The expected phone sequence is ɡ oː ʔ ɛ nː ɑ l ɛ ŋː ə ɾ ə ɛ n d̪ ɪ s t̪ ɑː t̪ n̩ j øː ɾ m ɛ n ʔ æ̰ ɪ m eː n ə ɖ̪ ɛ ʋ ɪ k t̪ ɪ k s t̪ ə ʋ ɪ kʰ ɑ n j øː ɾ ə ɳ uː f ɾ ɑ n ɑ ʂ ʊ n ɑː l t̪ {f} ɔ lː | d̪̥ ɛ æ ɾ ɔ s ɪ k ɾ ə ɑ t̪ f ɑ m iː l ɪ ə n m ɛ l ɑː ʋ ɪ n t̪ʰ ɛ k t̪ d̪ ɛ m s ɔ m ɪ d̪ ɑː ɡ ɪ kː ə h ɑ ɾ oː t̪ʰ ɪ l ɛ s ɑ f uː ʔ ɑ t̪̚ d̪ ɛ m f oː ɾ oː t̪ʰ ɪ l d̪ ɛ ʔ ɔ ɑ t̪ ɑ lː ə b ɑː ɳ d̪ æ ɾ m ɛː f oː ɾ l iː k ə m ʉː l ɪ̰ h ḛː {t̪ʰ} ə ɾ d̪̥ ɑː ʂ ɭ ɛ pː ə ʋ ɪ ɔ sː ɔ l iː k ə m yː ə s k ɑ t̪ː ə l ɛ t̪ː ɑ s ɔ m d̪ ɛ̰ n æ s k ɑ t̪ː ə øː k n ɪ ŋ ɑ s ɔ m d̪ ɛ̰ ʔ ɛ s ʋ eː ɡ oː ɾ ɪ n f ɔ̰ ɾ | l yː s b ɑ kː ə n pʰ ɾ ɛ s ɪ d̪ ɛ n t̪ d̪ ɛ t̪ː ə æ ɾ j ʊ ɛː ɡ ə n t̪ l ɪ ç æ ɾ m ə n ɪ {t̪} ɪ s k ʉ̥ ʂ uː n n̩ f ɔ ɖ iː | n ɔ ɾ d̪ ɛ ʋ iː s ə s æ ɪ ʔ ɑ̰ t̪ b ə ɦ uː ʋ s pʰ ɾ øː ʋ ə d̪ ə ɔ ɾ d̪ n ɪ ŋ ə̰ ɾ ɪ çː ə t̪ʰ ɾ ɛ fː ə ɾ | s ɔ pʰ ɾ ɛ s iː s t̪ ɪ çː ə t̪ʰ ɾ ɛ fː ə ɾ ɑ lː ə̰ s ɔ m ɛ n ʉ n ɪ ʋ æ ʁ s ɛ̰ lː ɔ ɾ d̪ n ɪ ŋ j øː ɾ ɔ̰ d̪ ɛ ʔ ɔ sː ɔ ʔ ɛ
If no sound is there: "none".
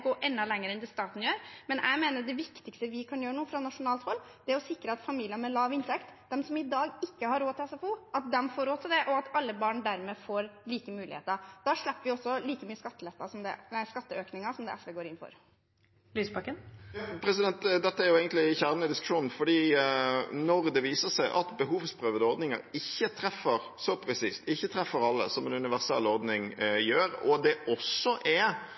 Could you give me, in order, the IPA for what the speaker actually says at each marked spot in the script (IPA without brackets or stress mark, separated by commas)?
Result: h, t̪, d̪